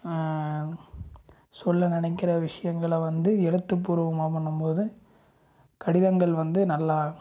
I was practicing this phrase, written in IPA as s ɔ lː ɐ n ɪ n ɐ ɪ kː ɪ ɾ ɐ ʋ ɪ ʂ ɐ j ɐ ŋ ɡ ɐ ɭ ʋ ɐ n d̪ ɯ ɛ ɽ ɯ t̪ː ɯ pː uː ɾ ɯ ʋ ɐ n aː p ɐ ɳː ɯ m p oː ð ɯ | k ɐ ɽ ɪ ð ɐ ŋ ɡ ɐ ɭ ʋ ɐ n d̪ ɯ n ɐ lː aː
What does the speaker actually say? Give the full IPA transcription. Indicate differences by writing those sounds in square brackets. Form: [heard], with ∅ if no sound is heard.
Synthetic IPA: s ɔ lː ɐ n ɪ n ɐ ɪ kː ɪ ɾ ɐ ʋ ɪ ʂ ɐ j ɐ ŋ ɡ ɐ ɭ ʋ ɐ n d̪ ɯ ɛ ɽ ɯ t̪ː ɯ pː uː ɾ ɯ ʋ ɐ [m] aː p ɐ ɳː ɯ m p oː ð ɯ | k ɐ ɽ ɪ ð ɐ ŋ ɡ ɐ ɭ ʋ ɐ n d̪ ɯ n ɐ lː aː